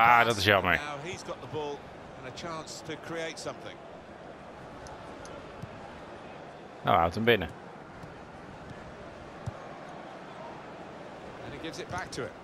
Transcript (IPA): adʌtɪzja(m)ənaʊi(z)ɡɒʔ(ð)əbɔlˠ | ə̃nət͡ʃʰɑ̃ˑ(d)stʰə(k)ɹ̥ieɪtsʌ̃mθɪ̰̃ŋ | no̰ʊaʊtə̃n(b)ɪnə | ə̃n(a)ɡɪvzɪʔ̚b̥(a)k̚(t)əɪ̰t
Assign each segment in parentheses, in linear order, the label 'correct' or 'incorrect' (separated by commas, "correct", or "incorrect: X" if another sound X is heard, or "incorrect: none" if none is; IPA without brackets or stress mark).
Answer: correct, correct, correct, incorrect: n, incorrect: kʰ, correct, incorrect: i, correct, incorrect: tʰ